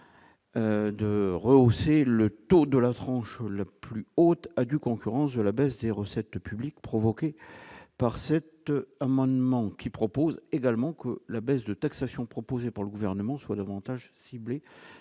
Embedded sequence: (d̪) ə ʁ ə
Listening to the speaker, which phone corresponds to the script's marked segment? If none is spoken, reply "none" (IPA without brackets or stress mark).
d̪